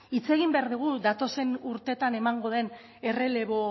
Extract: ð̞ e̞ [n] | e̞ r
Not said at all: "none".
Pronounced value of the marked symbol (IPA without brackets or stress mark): n